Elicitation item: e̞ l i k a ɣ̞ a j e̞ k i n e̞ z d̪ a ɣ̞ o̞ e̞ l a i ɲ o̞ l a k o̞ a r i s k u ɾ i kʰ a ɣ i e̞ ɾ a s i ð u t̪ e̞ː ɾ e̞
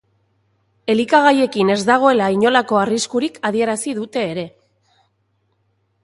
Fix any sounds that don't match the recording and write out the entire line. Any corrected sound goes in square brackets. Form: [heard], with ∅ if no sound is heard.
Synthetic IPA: e̞ l i k a ɣ̞ a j e̞ k i n e̞ z d̪ a ɣ̞ o̞ e̞ l a i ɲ o̞ l a k o̞ a r i s k u ɾ i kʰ a [ð] i e̞ ɾ a s i ð u t̪ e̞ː ɾ e̞